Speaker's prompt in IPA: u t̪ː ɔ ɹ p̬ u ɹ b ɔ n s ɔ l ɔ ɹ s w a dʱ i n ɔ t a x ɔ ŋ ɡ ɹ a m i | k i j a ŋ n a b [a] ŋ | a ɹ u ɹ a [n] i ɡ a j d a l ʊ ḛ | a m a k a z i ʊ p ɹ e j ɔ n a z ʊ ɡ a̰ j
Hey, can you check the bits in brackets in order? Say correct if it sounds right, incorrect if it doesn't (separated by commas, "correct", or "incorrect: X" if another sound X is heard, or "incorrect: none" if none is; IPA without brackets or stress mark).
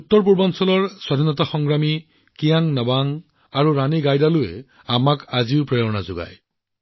correct, correct